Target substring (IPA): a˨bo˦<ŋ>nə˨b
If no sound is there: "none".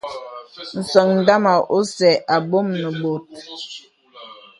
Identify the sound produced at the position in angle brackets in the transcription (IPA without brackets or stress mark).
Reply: m